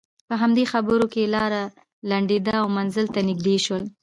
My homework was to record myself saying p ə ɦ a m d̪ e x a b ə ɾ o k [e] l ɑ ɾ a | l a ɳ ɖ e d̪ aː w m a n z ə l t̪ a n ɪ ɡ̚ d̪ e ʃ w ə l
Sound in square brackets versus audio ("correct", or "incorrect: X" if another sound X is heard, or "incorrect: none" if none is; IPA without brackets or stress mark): correct